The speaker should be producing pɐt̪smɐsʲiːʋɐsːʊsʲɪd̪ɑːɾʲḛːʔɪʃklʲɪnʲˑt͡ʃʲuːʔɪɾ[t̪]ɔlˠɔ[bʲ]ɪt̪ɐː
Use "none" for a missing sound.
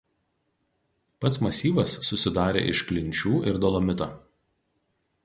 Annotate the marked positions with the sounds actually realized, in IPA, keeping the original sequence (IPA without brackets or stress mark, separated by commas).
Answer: d̪, mʲ